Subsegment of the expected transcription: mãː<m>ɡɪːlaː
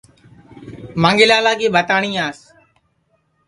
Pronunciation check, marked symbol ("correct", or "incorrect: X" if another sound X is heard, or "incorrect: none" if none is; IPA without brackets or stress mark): incorrect: ŋ